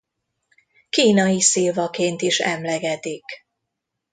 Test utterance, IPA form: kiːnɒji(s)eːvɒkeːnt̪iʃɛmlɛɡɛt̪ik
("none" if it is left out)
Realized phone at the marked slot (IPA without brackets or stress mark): s